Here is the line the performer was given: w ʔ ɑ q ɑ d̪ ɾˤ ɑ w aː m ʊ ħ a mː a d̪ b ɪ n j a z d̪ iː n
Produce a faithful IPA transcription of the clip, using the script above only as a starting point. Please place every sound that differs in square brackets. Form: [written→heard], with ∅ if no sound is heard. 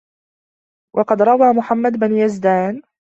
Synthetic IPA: w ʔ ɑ q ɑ d̪ ɾˤ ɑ w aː m ʊ ħ a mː a d̪ b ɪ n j a z d̪ [iː→aː] n